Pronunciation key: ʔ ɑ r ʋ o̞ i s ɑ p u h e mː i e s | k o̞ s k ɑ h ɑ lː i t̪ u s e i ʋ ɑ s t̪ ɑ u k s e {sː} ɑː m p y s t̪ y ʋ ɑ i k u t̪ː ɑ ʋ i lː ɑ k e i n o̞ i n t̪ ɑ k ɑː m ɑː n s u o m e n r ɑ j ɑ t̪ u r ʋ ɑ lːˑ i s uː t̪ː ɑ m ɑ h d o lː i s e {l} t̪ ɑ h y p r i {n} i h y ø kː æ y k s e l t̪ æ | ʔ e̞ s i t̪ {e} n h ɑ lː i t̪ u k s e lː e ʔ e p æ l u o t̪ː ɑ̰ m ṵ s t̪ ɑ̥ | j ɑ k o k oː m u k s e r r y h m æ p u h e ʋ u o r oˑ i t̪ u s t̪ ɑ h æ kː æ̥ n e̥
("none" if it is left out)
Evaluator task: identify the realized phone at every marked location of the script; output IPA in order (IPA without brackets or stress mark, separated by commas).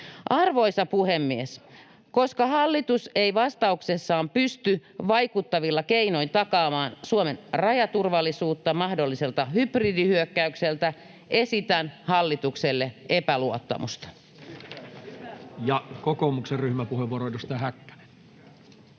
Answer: sː, l, d, æ